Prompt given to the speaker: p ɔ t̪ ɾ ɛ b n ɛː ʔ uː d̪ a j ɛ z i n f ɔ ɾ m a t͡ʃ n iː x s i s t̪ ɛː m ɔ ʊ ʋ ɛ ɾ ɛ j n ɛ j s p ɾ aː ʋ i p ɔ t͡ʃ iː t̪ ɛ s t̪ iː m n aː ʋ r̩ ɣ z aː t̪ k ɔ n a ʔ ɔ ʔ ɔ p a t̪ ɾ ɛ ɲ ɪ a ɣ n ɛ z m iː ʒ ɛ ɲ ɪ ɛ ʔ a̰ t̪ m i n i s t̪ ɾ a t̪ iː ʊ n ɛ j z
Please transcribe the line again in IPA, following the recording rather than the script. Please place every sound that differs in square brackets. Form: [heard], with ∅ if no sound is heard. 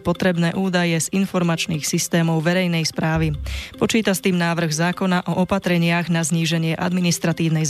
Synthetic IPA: p ɔ t̪ ɾ ɛ b n ɛː ʔ uː d̪ a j ɛ z i n f ɔ ɾ m a t͡ʃ n iː x s i s t̪ ɛː m ɔ ʊ ʋ ɛ ɾ ɛ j n ɛ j s p ɾ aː ʋ i p ɔ t͡ʃ iː t̪ [a] s t̪ iː m n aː ʋ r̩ ɣ z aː [∅] k ɔ n a ʔ ɔ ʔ ɔ p a t̪ ɾ ɛ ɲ ɪ a ɣ n [a] z [ɲ] iː ʒ ɛ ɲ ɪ ɛ ʔ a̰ [d̪] m i n i s t̪ ɾ a t̪ iː ʊ n ɛ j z